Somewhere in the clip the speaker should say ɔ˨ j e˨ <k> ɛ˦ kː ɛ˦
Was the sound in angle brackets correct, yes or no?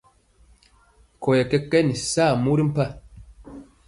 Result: yes